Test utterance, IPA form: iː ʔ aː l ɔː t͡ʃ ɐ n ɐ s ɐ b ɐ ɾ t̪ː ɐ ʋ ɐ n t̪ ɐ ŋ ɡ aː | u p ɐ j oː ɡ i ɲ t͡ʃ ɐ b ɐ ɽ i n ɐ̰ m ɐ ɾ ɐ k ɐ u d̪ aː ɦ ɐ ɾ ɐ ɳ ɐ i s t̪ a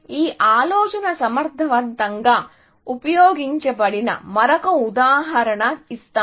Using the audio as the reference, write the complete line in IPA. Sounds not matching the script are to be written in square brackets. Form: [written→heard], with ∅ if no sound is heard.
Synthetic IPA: iː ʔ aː l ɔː t͡ʃ ɐ n ɐ s ɐ [b→m] ɐ ɾ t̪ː ɐ ʋ ɐ n t̪ ɐ ŋ ɡ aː | u p ɐ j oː ɡ i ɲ t͡ʃ ɐ b ɐ ɽ i n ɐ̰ m ɐ ɾ ɐ k ɐ u d̪ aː ɦ ɐ ɾ ɐ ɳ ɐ i s t̪ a